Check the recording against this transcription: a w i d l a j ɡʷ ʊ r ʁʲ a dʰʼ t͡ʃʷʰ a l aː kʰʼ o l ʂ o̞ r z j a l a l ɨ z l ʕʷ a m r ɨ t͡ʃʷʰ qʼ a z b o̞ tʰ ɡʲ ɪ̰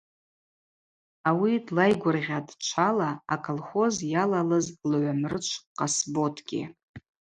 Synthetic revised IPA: a w i d l a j ɡʷ ʊ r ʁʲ a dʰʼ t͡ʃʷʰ a l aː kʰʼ o l χ o̞ z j a l a l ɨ z l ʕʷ a m r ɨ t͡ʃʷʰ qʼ a s b o̞ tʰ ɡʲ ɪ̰

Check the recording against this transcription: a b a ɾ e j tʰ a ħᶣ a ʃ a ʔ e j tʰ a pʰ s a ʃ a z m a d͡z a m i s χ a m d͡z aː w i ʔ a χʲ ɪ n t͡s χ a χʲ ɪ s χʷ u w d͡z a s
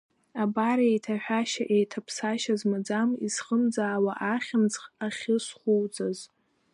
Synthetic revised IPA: a b a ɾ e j tʰ a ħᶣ a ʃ a ʔ e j tʰ a pʰ s a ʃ a z m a d͡z a m i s χ ə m d͡z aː w a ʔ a χʲ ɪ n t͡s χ a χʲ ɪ s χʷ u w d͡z a z

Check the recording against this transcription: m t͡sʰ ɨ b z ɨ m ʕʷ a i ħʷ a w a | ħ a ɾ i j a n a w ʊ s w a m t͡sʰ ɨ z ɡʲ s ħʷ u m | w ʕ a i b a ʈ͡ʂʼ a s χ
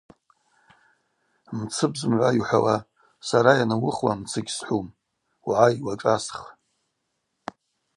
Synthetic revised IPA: m t͡sʰ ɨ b z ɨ m ʕʷ a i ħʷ a w a | s a ɾ a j a n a w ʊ χ w a m t͡sʰ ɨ ɡʲ s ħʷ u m | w ʕ a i w a ʈ͡ʂʼ a s χ

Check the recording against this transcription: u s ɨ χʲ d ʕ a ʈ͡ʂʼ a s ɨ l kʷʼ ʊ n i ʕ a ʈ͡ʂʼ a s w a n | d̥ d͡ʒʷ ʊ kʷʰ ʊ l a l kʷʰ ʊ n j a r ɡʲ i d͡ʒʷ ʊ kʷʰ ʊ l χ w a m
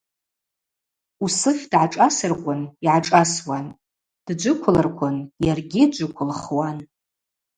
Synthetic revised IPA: u s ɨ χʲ d ʕ a ʈ͡ʂʼ a s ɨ r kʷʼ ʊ n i ʕ a ʈ͡ʂʼ a s w a n | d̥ d͡ʒʷ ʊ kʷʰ ʊ l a r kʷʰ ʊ n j a r ɡʲ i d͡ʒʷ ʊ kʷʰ ʊ l χ w a n

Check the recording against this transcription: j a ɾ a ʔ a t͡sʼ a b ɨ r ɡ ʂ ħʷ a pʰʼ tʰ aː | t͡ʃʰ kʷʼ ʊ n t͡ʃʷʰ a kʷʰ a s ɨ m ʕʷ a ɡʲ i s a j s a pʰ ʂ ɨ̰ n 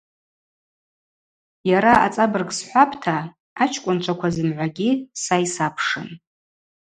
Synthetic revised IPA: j a ɾ a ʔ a t͡sʼ a b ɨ r ɡ s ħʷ a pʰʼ tʰ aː | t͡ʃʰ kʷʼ ʊ n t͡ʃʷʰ a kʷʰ a z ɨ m ʕʷ a ɡʲ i s a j s a pʰ ʂ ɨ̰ n

